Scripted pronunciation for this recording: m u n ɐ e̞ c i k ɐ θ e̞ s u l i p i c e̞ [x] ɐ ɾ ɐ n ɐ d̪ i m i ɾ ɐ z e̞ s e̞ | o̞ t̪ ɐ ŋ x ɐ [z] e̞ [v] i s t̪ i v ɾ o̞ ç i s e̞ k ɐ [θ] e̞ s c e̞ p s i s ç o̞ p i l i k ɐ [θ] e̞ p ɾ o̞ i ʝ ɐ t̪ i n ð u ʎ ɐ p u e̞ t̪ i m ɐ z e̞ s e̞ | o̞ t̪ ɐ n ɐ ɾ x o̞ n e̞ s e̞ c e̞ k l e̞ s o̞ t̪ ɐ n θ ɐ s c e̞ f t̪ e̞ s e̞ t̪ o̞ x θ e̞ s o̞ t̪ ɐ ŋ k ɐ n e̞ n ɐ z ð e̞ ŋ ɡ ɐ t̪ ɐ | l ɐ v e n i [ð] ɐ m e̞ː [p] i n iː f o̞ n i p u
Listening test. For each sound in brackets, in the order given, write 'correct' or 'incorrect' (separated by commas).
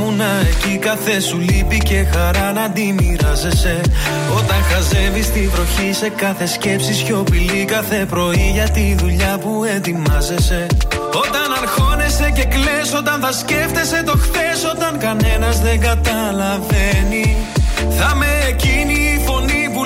correct, correct, correct, correct, correct, incorrect, incorrect